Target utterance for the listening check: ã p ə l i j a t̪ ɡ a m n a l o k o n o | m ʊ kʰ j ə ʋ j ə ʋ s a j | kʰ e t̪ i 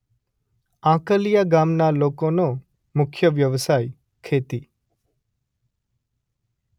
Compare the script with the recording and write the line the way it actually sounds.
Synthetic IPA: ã k ə l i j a ɡ a m n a l o k o n o | m ʊ kʰ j ə ʋ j ə ʋ s a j | kʰ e t̪ i